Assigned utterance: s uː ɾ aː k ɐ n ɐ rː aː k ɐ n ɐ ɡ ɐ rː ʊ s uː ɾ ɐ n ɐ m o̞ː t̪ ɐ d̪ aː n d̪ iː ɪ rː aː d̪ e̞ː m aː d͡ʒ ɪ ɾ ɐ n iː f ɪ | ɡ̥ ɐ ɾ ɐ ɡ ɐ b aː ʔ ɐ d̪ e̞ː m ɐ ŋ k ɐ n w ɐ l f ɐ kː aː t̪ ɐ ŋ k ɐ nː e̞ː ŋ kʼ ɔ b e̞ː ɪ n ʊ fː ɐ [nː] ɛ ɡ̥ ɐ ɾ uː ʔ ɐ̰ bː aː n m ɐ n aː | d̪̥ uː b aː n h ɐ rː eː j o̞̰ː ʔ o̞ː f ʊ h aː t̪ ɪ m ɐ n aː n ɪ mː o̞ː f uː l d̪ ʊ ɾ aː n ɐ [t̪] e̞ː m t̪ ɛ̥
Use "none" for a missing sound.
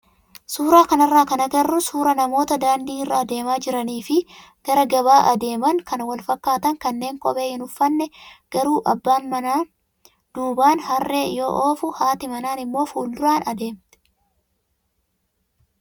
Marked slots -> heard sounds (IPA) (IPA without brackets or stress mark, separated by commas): nː, d̪